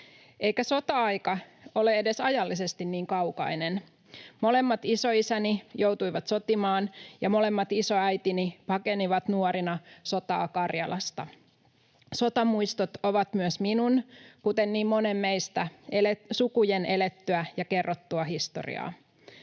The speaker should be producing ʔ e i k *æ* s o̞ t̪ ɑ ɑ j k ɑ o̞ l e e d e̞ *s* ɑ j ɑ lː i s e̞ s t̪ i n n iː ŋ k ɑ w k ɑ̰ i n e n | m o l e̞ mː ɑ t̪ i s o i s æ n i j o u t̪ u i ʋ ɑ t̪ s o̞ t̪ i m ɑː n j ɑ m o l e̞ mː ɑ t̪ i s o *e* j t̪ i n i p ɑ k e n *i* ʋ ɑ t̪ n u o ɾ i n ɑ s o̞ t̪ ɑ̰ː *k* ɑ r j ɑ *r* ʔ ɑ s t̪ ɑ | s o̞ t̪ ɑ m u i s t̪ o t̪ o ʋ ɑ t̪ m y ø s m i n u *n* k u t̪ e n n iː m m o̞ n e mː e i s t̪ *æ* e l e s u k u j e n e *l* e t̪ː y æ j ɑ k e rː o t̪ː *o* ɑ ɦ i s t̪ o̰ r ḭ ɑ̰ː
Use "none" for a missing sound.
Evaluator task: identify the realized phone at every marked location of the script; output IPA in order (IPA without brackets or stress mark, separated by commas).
æ, s, æ, i, k, l, n, æ, l, u